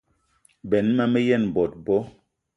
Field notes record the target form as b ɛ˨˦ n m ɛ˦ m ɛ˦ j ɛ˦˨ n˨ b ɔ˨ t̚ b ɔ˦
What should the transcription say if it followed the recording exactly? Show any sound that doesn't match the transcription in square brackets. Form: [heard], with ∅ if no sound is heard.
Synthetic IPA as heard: b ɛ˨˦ n m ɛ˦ m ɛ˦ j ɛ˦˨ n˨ b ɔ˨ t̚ b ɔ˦